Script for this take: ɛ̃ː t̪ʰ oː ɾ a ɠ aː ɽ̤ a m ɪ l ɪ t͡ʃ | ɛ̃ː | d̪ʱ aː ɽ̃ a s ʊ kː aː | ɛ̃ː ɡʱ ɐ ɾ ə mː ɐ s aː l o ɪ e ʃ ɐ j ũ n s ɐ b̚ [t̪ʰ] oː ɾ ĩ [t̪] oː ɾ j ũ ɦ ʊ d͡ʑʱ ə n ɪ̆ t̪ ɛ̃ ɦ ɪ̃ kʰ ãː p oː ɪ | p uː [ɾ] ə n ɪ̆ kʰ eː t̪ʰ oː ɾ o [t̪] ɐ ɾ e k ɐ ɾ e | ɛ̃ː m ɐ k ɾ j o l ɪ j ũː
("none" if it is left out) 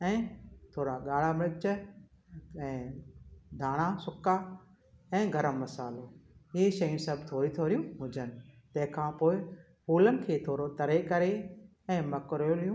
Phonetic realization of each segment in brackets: t̪ʰ, t̪ʰ, l, t̪

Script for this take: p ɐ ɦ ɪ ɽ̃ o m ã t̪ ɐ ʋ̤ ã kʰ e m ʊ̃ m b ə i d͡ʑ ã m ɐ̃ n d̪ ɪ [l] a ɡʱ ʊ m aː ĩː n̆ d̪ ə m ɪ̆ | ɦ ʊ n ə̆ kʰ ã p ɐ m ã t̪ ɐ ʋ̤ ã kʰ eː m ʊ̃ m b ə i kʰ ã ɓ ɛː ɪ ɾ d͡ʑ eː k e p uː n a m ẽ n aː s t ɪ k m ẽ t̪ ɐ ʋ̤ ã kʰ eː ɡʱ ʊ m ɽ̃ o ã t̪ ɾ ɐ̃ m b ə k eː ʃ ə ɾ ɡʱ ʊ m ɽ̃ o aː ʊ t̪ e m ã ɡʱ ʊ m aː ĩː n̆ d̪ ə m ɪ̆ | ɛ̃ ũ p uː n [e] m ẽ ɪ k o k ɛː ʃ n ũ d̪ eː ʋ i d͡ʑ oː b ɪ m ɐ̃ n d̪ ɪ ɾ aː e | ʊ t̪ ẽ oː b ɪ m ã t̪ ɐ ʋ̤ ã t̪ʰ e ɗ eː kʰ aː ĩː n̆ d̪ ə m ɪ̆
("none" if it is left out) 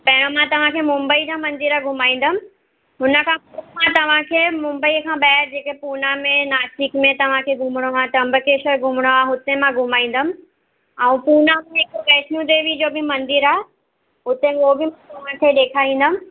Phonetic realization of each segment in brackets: ɾ, a

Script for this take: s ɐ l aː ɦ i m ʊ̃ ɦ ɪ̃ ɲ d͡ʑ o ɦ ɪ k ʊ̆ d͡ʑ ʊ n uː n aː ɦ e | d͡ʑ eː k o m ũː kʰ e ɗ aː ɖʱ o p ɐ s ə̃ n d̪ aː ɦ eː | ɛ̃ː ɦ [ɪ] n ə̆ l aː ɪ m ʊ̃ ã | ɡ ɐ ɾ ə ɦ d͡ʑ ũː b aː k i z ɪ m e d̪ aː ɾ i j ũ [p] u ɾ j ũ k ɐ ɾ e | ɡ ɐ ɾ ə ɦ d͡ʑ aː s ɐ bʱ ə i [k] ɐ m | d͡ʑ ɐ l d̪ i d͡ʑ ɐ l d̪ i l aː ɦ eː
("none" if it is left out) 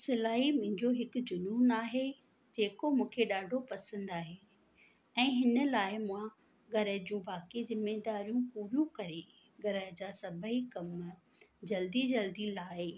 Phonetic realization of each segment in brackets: ɪ, p, k

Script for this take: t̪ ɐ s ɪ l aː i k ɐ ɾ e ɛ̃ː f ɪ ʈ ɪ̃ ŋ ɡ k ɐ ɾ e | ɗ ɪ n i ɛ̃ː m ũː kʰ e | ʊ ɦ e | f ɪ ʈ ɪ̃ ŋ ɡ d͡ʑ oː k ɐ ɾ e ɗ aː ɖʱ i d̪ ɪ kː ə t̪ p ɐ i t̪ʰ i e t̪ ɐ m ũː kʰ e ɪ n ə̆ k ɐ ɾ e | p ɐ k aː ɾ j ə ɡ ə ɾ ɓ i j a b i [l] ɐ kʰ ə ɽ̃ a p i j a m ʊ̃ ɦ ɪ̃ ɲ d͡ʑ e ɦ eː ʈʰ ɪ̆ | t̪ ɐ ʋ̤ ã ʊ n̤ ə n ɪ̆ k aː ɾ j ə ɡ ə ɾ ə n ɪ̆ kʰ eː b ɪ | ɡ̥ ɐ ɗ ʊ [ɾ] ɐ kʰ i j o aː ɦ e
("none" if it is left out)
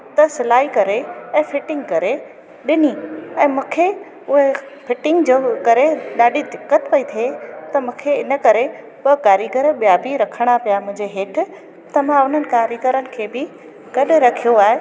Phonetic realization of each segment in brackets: ɾ, ɾ

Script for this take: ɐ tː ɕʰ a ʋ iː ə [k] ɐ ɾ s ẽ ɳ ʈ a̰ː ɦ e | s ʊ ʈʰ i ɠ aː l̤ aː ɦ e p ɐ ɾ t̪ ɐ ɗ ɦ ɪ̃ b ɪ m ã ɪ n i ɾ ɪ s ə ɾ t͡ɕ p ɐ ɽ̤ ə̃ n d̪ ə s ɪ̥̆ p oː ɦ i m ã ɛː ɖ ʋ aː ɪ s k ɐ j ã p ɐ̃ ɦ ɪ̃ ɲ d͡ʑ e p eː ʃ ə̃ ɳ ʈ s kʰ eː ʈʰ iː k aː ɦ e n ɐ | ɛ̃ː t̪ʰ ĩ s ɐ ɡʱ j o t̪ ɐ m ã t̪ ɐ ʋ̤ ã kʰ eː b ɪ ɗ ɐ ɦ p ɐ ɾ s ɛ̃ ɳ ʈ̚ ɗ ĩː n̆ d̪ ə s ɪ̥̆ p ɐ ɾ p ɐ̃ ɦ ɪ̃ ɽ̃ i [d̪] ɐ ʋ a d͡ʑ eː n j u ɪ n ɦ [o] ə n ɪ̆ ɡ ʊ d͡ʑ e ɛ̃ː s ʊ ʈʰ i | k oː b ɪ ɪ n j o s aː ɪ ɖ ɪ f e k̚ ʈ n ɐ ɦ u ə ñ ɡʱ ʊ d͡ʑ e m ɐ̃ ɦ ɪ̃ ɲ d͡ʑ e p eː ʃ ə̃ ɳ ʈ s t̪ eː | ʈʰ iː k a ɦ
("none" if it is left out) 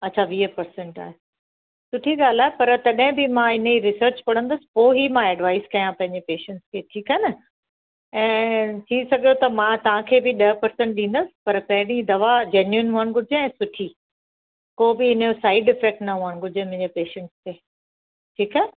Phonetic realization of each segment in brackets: p, d̪, u

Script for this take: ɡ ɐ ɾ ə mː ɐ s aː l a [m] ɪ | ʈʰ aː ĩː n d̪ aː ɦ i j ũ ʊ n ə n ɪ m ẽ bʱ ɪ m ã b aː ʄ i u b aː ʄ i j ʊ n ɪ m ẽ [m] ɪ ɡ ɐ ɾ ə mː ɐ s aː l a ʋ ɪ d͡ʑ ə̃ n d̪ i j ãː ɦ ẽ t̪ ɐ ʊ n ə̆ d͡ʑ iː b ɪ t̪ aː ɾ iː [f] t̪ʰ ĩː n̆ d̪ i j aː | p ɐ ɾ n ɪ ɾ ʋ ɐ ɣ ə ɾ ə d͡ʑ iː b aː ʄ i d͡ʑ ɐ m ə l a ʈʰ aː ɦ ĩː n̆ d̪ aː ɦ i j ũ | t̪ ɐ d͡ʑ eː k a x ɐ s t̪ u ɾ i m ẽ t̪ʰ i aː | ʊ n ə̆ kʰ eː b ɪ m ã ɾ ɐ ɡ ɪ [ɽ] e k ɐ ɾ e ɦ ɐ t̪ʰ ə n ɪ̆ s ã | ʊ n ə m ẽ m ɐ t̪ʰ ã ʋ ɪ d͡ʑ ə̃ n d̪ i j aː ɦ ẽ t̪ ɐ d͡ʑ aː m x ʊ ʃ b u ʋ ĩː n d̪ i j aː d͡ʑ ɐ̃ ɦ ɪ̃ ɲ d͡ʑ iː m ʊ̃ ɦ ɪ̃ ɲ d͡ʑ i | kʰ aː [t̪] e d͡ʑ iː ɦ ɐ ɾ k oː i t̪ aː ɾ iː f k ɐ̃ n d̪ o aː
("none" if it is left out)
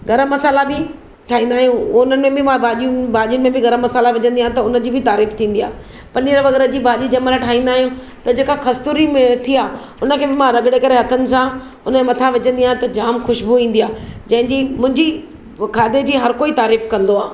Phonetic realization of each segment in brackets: b, b, f, ɽ, d̪

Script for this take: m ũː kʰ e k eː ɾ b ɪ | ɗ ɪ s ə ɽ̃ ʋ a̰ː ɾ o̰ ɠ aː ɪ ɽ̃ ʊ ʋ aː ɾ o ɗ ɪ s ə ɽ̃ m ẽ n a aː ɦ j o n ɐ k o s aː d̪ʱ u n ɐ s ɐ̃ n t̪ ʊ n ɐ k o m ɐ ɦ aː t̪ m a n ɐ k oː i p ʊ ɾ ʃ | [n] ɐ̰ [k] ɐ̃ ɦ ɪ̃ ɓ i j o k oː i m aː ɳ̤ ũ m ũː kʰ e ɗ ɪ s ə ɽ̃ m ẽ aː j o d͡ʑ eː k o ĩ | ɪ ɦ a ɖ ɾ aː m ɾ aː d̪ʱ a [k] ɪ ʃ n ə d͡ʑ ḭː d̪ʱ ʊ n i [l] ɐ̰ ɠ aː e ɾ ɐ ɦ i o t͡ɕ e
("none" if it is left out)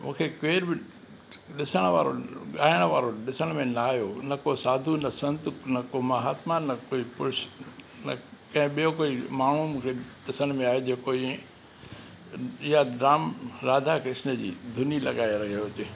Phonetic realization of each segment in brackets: n, k, k, l

